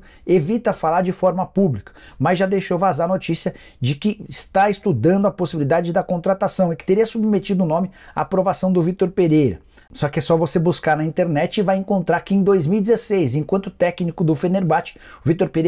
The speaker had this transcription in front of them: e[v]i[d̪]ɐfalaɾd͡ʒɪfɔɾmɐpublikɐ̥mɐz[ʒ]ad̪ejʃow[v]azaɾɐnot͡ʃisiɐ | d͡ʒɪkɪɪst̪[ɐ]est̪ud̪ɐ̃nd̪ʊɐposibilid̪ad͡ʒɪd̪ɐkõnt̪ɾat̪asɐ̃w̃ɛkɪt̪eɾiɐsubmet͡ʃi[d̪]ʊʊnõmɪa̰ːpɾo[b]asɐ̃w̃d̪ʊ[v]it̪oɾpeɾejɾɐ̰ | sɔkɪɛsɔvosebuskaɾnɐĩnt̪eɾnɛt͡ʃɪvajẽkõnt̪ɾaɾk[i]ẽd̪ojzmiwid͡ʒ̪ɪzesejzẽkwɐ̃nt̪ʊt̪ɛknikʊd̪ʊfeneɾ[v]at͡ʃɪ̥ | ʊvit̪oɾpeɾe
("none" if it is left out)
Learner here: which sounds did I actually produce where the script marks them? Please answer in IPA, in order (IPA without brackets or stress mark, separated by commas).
v, t̪, ʒ, v, a, d̪, v, v, ɪ, b